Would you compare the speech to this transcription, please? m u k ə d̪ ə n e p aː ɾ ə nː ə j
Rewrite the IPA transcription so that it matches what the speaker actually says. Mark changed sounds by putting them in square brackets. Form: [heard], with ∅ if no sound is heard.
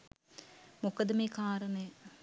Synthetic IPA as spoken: m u k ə d̪ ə [m] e [k] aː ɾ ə [n] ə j